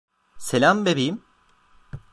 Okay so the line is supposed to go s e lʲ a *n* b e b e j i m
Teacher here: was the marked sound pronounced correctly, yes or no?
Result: no